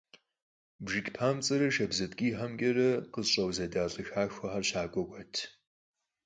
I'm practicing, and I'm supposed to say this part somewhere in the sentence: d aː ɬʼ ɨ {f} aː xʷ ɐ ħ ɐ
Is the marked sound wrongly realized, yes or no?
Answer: yes